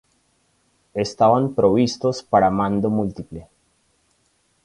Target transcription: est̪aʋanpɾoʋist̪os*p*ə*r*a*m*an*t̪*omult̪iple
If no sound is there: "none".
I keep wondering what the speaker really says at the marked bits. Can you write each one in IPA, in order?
p, ɽ, m, d̪

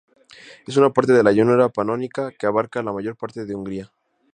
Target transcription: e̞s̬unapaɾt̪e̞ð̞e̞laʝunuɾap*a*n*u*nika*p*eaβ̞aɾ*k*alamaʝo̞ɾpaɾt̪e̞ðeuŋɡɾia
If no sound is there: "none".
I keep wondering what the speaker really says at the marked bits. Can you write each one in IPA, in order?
a, o, k, k

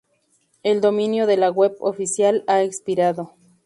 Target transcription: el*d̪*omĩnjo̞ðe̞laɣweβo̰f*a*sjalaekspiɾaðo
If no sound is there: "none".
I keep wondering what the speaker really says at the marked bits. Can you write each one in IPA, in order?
d̪, i

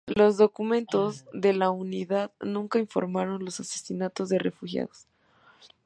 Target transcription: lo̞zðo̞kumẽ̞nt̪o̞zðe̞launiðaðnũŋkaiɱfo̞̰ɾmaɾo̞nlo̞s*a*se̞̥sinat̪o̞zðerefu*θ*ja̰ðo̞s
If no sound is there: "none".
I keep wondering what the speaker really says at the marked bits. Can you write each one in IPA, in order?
a, x

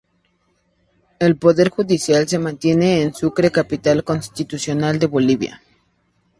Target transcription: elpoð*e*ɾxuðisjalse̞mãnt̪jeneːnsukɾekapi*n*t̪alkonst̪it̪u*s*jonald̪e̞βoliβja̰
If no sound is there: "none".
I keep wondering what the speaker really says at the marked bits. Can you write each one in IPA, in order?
e, none, s

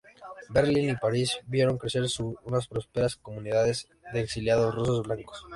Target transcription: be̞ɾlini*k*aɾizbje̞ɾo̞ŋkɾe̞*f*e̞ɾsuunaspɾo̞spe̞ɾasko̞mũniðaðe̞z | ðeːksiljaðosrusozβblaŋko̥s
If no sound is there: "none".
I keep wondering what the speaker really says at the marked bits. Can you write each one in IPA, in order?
p, s

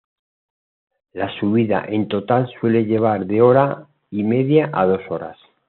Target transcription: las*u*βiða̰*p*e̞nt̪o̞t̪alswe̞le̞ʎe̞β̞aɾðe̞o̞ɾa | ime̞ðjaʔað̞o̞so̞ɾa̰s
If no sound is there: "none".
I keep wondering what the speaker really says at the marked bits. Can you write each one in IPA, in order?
u, ʔ

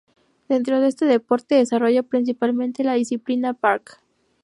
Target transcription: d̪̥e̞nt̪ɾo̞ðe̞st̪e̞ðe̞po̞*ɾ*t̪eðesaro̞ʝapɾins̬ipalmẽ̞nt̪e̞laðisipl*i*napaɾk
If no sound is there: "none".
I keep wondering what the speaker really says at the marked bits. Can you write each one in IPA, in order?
ɾ, i

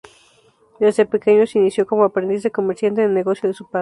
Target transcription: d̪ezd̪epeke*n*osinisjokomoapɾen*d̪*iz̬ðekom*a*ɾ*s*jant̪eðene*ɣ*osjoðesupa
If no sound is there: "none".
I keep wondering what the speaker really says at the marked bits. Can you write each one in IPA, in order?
ɲ, d̪, e, s, ɣ

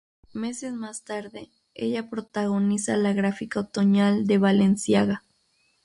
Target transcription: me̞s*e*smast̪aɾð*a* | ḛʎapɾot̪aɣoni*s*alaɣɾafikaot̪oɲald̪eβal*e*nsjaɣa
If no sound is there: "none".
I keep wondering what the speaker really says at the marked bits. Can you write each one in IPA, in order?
e, e, s, e

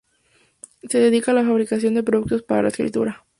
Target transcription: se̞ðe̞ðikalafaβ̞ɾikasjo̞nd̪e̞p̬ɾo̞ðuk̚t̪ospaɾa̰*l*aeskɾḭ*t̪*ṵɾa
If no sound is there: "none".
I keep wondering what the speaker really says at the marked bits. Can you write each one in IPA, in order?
l, t̪

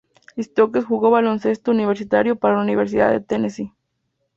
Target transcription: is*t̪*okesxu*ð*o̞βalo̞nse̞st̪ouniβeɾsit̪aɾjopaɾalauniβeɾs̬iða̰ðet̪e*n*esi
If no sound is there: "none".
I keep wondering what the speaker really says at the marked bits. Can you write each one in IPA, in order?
t̪, ɣ, n

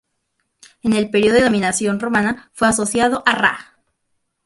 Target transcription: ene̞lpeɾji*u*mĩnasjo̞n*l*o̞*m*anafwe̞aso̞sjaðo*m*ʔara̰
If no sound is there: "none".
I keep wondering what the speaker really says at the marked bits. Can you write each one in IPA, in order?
o, r, m, none

